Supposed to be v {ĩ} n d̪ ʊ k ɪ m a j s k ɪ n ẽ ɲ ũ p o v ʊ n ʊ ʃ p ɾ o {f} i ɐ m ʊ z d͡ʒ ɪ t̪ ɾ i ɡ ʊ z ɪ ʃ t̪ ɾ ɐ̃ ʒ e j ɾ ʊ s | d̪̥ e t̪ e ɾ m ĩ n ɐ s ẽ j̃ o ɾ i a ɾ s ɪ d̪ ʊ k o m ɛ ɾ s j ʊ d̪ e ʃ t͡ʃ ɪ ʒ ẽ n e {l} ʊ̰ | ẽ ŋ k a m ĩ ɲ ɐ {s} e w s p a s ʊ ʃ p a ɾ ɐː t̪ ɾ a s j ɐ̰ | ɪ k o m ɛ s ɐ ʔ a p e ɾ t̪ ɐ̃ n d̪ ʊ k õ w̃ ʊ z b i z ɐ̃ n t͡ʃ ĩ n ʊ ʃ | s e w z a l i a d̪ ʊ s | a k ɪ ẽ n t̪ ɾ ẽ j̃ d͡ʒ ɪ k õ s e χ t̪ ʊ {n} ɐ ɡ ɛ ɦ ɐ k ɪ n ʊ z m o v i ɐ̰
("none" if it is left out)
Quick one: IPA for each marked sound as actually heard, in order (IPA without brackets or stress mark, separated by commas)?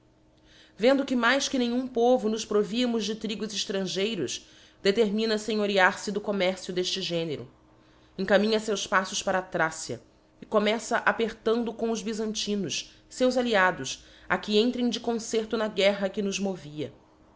ẽ, v, ɾ, s, n